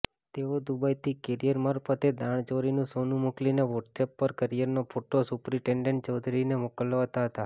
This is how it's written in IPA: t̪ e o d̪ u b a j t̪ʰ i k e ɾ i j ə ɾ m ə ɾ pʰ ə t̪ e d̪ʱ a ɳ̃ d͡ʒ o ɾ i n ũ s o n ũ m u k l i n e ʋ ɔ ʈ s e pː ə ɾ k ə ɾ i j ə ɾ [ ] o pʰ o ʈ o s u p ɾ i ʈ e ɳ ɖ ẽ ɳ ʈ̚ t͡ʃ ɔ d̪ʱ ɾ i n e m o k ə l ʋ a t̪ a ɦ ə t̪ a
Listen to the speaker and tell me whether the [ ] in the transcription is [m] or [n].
n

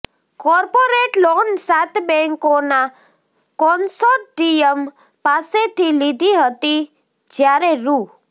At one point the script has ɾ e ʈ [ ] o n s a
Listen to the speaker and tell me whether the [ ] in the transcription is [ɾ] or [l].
l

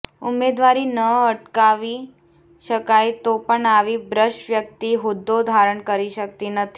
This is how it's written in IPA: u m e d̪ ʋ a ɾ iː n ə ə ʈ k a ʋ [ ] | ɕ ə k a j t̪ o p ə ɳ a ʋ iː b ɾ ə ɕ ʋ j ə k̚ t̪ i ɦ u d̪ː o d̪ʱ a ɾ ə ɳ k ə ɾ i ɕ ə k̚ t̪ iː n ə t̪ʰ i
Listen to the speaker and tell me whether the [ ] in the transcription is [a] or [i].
i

